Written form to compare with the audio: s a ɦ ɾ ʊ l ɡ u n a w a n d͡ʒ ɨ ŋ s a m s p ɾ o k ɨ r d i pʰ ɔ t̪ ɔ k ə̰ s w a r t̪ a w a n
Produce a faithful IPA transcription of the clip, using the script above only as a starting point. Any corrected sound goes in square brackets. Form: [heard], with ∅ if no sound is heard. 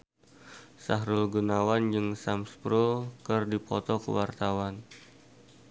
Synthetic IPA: s a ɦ ɾ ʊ l ɡ u n a w a n d͡ʒ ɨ ŋ s a m s p ɾ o k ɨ r d i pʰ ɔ t̪ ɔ k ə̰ [∅] w a r t̪ a w a n